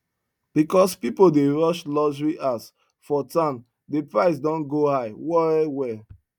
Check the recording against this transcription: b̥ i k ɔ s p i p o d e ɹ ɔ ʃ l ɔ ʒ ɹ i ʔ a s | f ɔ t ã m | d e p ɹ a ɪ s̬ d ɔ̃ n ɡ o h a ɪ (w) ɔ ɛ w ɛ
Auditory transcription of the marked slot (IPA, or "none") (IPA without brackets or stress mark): w